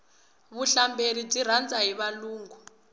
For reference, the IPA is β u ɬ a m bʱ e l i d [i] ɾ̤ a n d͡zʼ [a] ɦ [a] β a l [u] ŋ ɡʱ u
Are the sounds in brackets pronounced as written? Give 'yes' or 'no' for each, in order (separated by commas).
yes, yes, no, no